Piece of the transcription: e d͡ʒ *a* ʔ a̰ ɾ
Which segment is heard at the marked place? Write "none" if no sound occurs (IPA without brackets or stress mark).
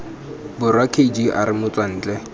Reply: i